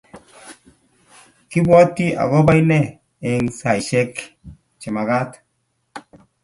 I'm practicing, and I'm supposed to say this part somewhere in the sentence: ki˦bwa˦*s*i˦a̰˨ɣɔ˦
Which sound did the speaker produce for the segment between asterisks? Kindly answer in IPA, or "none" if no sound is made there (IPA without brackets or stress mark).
t